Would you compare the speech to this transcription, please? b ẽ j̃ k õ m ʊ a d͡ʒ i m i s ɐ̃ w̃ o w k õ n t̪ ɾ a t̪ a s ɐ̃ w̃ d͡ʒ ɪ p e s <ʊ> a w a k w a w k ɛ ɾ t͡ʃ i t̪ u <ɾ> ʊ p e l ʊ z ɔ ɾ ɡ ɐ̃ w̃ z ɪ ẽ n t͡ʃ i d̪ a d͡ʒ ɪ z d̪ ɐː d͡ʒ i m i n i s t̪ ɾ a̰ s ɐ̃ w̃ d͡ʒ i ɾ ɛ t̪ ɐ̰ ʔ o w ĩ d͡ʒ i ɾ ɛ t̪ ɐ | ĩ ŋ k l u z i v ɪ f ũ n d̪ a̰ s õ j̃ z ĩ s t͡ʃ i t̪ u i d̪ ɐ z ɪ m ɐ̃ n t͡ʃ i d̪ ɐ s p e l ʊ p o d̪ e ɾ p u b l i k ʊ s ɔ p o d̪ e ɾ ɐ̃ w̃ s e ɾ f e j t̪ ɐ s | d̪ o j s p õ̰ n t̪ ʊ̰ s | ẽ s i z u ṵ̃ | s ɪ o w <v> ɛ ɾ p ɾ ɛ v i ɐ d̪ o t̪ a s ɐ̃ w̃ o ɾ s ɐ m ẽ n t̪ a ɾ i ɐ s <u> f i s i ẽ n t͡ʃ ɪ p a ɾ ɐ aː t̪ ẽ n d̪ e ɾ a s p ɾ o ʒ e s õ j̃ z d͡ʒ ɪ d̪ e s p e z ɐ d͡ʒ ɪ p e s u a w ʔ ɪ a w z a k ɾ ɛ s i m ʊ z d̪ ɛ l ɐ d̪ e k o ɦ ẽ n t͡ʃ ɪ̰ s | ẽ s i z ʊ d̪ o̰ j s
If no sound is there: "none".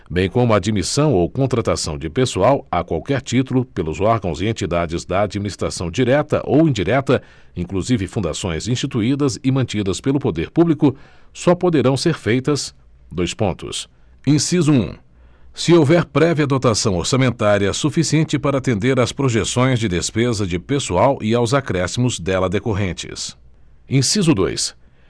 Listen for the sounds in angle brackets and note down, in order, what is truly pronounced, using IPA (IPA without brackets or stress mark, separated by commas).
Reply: u, l, v, u